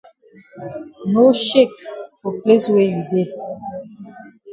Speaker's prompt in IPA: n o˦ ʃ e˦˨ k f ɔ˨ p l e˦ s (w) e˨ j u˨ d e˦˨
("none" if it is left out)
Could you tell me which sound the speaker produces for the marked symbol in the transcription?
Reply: w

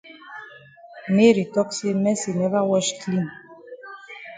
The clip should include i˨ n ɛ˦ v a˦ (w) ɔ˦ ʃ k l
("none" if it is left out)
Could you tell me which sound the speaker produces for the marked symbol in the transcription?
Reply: w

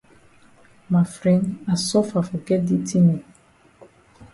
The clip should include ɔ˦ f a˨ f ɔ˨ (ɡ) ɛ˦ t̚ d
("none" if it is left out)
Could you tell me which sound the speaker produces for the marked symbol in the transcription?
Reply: ɡ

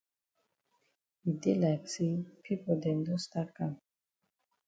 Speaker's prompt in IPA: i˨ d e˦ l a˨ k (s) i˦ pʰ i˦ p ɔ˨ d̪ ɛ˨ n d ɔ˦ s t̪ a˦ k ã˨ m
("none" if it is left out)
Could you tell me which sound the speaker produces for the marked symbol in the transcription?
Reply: s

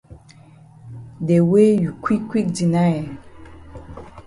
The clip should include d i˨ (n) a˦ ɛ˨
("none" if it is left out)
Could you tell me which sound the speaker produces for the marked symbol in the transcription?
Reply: n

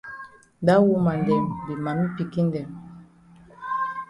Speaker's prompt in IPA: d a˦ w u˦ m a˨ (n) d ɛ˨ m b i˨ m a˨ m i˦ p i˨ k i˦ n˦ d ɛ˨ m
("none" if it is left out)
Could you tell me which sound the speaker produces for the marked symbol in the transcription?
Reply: n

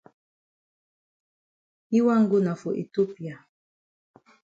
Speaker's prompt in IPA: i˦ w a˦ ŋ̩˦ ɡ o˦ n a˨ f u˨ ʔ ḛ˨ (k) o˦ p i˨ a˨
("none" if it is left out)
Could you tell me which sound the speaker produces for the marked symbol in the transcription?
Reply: t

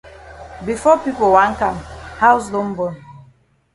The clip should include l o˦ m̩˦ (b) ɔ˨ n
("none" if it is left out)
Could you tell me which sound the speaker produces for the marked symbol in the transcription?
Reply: b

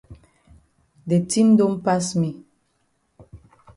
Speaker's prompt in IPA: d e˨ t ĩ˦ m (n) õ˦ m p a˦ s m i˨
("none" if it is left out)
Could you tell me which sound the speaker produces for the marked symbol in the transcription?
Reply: d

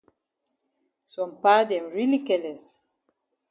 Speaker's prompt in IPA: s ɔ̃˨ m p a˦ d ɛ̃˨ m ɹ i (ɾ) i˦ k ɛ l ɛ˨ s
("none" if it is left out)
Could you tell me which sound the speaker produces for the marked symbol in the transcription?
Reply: l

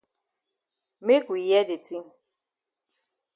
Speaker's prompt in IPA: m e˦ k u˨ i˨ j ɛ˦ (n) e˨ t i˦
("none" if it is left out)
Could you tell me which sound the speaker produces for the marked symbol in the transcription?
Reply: d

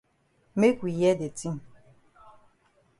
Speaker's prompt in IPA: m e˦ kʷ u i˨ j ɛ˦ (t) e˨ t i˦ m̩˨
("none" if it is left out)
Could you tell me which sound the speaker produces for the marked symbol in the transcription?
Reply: d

